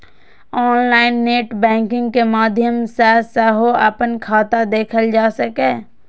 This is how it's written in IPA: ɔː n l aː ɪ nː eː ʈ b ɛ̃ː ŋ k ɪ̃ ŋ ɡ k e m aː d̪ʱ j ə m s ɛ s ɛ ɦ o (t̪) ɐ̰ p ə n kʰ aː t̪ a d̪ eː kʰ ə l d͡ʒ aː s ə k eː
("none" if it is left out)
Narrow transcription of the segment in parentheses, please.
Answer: none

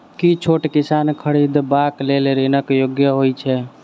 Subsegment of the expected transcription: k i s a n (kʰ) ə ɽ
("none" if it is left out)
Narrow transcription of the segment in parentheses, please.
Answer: kʰ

